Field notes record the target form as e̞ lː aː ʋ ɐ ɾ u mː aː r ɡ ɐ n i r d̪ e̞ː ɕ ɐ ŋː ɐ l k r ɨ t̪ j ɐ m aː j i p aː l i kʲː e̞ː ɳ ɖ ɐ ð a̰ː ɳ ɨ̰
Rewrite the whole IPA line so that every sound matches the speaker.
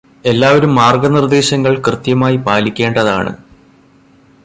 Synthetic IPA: e̞ lː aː ʋ ɐ ɾ u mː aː r ɡ ɐ n i r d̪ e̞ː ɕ ɐ ŋː ɐ ɭ k r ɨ t̪ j ɐ m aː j i p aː l i kʲː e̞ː ɳ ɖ ɐ ð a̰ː ɳ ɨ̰